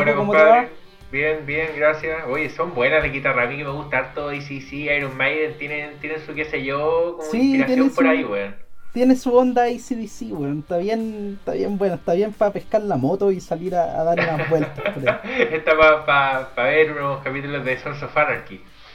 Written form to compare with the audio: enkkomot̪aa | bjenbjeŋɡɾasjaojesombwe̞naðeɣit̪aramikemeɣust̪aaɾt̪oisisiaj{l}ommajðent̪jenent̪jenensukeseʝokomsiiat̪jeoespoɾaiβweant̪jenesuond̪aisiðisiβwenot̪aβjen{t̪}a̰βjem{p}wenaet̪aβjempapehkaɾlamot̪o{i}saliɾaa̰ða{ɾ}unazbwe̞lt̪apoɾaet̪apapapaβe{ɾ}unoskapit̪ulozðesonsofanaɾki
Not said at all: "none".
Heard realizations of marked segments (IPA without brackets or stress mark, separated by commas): ɾ, t̪, b, i, ɾ, ɾ